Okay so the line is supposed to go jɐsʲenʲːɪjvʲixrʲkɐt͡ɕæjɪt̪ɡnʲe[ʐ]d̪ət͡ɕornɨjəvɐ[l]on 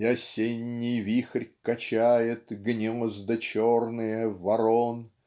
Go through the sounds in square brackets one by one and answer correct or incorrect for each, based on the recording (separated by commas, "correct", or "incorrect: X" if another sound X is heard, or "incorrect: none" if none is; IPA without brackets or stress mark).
incorrect: z, incorrect: ɾ